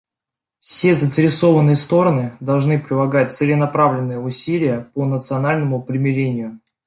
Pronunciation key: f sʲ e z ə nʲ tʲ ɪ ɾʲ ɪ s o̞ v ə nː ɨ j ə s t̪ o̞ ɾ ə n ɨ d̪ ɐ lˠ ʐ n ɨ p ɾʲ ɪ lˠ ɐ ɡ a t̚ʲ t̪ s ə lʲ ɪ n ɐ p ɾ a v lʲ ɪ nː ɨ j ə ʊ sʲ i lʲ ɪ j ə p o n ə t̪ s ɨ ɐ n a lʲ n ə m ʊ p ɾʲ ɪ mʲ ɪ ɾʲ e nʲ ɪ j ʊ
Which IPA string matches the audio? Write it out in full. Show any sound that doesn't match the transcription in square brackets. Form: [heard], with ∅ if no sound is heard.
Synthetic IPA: f sʲ e z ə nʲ tʲ ɪ ɾʲ ɪ s o̞ v ə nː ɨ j ə s t̪ o̞ ɾ ə n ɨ d̪ ɐ lˠ ʐ n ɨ p ɾʲ ɪ lˠ ɐ ɡ a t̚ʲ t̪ s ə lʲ ɪ n ɐ p ɾ a v lʲ ɪ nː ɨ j ə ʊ sʲ i lʲ ɪ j ə p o n ə t̪ s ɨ ɐ n a lʲ n ə m ʊ p ɾʲ ɪ mʲ ɪ ɾʲ e nʲ ɪ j ʊ